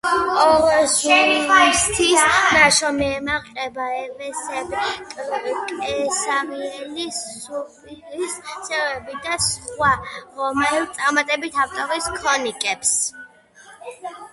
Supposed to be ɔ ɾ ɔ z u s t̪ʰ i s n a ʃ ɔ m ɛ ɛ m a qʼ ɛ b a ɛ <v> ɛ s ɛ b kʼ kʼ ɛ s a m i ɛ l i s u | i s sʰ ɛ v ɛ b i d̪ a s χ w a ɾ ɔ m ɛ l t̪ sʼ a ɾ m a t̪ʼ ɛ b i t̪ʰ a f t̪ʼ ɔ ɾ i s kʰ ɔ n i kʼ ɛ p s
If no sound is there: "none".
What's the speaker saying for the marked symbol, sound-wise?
v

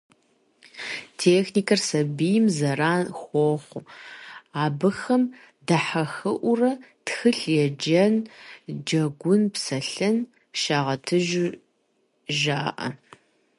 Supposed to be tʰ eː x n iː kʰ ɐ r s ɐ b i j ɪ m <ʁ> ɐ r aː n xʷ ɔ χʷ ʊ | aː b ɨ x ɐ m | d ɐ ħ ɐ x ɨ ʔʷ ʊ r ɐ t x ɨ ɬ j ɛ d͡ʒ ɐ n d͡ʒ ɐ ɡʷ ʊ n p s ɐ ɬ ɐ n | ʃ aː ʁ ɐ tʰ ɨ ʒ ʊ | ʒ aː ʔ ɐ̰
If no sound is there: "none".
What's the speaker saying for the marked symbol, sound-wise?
z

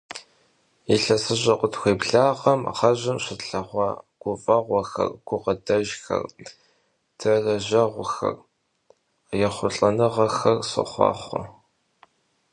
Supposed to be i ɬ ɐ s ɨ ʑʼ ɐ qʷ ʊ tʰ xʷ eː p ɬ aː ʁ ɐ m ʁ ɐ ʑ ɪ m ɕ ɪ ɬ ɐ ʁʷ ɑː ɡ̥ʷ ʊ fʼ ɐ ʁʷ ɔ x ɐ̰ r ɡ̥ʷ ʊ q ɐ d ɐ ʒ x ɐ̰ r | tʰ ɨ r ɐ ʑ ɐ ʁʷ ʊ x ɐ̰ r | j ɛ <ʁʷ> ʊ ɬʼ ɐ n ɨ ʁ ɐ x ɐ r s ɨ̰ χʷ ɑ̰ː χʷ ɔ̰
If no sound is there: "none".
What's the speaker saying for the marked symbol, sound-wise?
χʷ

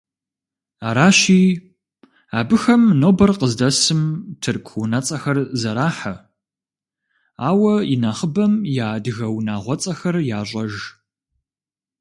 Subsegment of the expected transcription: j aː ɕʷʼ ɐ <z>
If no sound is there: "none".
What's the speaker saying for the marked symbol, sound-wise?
ʒ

